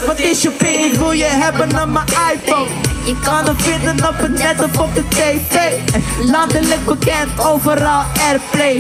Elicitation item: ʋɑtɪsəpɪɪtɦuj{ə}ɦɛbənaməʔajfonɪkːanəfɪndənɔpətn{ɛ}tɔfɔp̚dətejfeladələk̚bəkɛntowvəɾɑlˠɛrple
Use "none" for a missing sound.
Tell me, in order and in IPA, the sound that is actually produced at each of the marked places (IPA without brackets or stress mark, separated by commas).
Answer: ə, ɛ